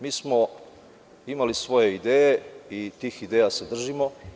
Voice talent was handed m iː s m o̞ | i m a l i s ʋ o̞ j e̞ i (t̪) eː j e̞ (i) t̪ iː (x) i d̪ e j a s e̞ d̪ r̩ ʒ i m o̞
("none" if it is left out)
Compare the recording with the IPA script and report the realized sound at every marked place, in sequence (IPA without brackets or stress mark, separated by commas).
d̪, i, x